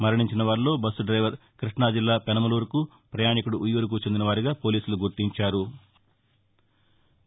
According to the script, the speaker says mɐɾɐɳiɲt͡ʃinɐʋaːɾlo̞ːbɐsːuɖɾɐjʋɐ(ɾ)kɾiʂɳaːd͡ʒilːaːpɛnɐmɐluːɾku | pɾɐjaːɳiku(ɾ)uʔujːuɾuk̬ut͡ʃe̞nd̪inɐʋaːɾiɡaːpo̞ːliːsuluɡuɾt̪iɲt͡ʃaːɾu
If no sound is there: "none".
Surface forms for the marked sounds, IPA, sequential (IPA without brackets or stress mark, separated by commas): ɾ, ɽ